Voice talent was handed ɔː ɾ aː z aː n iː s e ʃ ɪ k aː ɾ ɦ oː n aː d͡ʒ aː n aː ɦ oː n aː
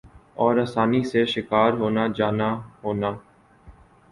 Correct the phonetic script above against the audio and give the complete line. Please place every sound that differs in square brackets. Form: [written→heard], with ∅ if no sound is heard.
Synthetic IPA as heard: ɔː ɾ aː [z→s] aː n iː s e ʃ ɪ k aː ɾ ɦ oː n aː d͡ʒ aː n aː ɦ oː n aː